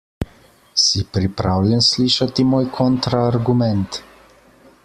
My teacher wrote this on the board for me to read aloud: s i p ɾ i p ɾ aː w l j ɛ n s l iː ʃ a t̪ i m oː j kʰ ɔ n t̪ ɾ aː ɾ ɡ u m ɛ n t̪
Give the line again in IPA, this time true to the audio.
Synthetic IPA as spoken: s i p ɾ i p ɾ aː w l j ɛ n s l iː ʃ a t̪ i m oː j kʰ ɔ n t̪ ɾ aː ɾ ɡ u m ɛ n t̪